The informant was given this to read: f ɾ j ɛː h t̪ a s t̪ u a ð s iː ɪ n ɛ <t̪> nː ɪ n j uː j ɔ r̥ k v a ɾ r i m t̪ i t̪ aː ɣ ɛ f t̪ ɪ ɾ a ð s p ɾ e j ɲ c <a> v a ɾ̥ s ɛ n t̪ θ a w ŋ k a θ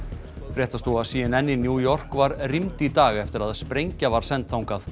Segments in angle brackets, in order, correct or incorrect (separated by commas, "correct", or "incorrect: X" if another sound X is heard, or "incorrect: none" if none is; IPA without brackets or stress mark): incorrect: none, correct